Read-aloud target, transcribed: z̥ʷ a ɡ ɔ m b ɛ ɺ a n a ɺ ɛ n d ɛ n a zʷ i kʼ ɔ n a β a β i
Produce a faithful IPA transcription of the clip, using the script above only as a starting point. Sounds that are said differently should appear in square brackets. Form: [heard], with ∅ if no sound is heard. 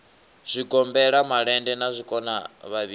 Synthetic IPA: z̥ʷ [i] ɡ ɔ m b ɛ ɺ a [m] a ɺ ɛ n d ɛ n a zʷ i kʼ ɔ n a β a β i